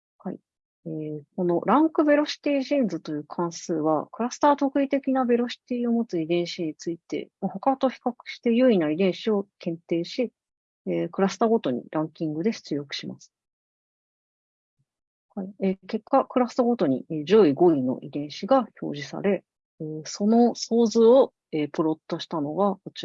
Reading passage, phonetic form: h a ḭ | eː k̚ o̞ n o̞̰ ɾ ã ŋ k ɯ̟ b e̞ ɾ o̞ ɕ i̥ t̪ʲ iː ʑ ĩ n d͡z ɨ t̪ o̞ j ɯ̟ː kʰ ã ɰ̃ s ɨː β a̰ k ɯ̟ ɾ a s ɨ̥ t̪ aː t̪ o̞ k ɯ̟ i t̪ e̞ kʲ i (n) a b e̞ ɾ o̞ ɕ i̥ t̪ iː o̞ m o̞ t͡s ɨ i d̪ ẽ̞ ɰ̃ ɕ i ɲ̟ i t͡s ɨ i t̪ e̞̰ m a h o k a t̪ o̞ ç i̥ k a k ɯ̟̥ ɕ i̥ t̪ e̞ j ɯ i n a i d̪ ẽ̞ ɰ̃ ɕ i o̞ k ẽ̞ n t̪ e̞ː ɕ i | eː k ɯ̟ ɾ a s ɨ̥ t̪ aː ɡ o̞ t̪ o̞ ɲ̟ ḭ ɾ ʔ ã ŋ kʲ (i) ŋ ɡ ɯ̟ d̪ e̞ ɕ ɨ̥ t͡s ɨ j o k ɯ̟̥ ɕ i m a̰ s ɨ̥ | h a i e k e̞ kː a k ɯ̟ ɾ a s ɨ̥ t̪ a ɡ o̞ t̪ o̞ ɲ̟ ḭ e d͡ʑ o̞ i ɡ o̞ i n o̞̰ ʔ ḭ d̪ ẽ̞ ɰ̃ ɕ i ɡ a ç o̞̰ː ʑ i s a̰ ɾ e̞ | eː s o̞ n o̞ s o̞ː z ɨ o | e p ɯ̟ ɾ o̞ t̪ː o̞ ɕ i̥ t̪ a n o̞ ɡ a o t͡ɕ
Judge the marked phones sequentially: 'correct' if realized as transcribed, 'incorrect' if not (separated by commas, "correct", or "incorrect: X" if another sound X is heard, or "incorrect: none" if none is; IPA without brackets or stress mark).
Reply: correct, incorrect: ĩ